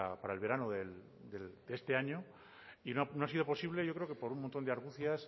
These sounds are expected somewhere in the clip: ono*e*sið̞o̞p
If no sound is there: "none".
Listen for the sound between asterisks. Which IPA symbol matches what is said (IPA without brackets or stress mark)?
a